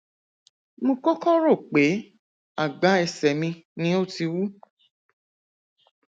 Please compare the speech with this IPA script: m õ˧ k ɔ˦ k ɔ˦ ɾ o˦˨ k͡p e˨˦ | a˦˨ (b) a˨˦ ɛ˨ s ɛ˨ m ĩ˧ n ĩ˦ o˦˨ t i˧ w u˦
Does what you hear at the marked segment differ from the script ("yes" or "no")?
yes